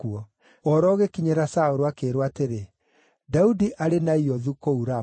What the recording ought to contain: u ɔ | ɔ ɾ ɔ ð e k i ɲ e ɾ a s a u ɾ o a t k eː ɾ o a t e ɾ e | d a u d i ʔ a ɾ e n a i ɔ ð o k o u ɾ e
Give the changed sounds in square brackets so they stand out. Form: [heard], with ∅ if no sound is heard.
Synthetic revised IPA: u ɔ | ɔ ɾ ɔ [ɣ] e k i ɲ e ɾ a s a [o] ɾ o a [∅] k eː ɾ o a t e ɾ e | d a u d i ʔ a ɾ e n a i ɔ ð [u] k o u ɾ [a]